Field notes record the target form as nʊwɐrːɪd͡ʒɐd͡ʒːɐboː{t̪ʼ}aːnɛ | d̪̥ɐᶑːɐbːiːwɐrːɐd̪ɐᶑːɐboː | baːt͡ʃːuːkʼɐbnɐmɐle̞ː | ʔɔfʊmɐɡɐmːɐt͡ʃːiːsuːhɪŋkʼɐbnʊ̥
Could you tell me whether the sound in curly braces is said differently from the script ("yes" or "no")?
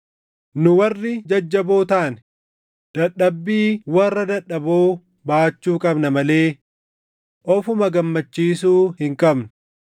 yes